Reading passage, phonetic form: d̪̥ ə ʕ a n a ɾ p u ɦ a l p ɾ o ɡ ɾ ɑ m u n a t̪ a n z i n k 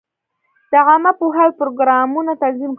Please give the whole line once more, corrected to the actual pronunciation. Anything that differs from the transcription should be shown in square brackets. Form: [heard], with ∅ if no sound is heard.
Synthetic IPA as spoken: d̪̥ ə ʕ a [m] a [∅] p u ɦ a l p ɾ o ɡ ɾ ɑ m u n a t̪ a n z i [m] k